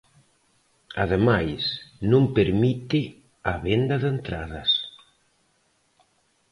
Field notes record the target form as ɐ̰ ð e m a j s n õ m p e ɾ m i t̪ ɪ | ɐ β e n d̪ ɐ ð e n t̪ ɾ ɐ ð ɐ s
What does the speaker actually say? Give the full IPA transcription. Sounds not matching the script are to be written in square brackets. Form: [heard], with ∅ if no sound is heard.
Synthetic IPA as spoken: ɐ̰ ð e m a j s n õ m p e ɾ m i t̪ ɪ | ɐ β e n d̪ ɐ ð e n t̪ ɾ [a] ð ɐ s